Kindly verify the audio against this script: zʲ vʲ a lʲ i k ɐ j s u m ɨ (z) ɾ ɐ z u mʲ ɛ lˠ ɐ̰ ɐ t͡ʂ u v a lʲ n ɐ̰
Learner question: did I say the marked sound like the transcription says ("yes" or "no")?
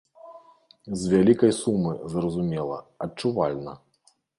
yes